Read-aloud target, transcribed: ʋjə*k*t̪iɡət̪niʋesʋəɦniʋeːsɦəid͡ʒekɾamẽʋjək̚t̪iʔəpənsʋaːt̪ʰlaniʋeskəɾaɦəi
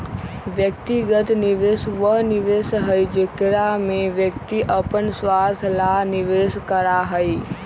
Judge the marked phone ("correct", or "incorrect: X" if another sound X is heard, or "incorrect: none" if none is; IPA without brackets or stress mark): correct